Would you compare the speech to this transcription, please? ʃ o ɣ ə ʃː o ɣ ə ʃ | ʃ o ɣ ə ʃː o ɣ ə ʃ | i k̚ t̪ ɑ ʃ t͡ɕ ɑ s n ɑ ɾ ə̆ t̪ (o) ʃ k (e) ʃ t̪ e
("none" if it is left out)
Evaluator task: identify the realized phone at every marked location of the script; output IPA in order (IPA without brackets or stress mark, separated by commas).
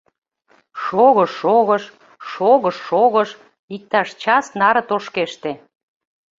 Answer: o, e